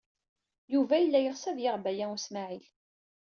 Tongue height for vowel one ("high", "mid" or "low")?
high